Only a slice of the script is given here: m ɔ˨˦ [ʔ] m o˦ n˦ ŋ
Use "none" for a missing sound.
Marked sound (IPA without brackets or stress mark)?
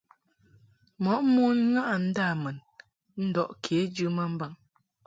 ʔ